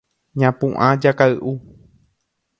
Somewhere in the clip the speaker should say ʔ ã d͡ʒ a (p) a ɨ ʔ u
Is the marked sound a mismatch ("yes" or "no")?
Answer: yes